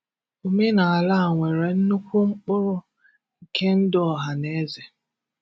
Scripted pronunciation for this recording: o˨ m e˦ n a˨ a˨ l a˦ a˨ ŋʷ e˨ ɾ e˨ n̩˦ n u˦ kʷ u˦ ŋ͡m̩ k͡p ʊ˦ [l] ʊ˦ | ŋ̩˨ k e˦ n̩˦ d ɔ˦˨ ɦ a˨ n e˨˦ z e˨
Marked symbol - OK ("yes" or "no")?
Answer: no